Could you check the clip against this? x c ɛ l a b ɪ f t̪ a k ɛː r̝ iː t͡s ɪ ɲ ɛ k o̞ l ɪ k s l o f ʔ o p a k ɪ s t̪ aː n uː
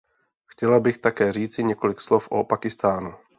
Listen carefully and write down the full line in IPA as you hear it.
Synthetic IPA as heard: x c ɛ l a b ɪ x t̪ a k ɛː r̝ iː t͡s ɪ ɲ ɛ k o̞ l ɪ k s l o f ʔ o p a k ɪ s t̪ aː n u